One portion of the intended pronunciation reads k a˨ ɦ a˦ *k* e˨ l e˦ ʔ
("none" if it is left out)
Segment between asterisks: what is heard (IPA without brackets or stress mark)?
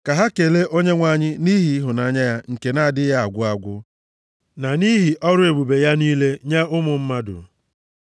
k